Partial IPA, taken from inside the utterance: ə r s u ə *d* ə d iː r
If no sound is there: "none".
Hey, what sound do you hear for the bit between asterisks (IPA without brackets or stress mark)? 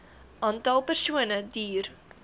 n